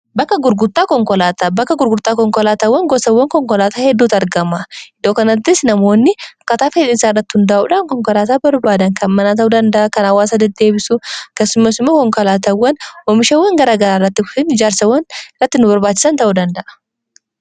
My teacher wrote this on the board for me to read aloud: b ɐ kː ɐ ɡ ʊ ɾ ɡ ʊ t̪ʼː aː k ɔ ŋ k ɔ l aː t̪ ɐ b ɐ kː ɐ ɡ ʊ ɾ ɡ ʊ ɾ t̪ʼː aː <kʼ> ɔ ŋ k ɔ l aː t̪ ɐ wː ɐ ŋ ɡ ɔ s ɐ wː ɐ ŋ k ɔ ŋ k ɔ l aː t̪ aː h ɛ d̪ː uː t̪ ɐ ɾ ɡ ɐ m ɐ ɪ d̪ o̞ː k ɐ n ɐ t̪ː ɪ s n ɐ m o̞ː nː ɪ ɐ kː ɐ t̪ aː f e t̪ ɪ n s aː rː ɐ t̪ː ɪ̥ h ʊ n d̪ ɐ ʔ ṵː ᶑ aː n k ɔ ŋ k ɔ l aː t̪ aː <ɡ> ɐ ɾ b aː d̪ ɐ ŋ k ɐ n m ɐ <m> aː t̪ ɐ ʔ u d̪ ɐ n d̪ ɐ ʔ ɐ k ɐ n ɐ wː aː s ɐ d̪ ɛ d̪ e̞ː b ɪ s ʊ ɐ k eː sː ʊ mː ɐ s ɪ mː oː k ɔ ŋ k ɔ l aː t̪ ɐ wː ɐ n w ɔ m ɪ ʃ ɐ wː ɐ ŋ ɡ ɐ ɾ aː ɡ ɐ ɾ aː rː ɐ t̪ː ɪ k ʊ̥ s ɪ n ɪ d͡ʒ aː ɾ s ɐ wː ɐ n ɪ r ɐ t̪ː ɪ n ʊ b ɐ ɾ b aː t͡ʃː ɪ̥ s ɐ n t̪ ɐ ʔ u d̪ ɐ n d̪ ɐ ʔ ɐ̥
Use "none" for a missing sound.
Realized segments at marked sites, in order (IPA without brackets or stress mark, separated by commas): k, b, n